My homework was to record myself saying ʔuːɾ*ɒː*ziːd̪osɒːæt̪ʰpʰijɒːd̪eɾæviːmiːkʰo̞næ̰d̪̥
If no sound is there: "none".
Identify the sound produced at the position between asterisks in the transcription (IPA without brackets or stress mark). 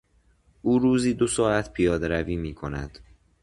uː